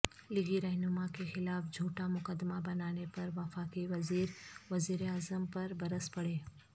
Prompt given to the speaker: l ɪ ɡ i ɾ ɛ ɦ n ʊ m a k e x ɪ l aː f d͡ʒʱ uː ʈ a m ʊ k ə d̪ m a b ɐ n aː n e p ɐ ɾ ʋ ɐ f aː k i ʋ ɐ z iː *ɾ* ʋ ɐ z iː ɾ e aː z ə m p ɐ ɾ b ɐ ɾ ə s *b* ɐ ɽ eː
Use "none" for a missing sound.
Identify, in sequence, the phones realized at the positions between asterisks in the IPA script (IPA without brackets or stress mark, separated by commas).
ɾ, p